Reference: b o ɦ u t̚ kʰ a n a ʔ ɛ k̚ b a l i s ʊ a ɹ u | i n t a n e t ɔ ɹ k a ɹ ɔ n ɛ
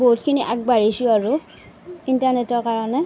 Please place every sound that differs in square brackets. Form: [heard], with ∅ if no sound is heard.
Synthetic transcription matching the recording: b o ɦ u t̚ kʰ [i] n [i] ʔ [a] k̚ b a [ɹ] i s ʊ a ɹ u | i n t a n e t ɔ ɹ k a ɹ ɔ n ɛ